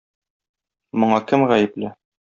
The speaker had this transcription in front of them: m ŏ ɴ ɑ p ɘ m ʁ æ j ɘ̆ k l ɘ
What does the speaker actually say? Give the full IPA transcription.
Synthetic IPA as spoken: m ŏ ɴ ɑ k ɘ m ʁ æ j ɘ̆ p l ɘ